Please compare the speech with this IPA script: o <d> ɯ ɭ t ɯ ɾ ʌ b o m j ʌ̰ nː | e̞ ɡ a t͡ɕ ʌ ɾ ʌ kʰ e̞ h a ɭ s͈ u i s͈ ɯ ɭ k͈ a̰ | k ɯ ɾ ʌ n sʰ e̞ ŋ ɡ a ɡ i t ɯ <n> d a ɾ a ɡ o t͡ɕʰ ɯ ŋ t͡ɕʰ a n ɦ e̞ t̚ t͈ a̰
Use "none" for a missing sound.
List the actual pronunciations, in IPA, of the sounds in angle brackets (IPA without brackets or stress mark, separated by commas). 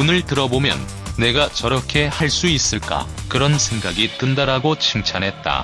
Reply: n, n